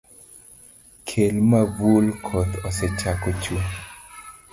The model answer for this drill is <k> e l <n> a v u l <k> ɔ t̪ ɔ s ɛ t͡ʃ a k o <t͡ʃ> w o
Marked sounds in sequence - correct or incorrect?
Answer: incorrect: kʰ, incorrect: m, incorrect: kʰ, correct

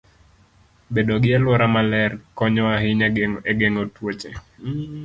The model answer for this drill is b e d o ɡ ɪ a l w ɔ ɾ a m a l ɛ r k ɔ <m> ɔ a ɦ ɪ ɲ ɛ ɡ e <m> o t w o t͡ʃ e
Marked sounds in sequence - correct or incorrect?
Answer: incorrect: ɲ, incorrect: ŋ

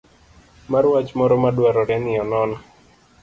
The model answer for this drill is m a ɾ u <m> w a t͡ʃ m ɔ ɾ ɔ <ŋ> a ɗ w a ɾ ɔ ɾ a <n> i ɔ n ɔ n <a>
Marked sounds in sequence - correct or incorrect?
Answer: incorrect: none, incorrect: m, correct, correct

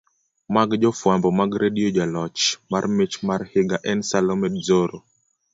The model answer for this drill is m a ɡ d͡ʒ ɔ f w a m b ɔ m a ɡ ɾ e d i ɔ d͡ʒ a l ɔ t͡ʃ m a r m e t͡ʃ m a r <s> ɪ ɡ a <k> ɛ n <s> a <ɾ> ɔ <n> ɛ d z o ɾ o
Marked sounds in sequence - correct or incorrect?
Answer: incorrect: h, incorrect: ʔ, correct, incorrect: l, incorrect: m

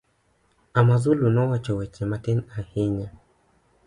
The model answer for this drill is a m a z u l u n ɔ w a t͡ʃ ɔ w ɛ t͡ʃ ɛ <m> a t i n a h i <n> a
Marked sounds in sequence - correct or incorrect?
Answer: correct, incorrect: ɲ

